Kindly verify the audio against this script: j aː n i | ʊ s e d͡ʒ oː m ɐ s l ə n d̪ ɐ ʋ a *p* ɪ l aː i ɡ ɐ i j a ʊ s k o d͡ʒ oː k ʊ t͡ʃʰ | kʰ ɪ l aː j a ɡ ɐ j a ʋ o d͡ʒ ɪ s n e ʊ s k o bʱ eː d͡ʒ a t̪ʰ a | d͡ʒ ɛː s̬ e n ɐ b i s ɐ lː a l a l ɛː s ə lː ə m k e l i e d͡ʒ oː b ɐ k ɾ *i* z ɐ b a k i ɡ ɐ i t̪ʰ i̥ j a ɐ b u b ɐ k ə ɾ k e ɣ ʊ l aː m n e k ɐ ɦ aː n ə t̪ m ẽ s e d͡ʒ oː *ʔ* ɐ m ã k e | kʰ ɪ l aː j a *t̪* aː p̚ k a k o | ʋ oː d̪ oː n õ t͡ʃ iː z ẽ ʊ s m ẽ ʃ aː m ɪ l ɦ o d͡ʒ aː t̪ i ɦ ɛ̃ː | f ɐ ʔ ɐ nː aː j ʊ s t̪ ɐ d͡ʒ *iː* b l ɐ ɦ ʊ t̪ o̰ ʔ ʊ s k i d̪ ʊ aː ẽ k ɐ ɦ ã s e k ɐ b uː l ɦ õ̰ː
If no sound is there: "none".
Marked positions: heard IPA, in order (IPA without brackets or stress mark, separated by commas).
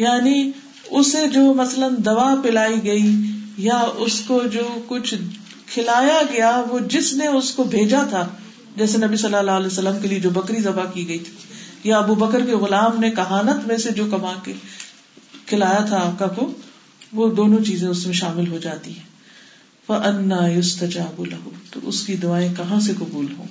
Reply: p, i, k, t̪ʰ, aː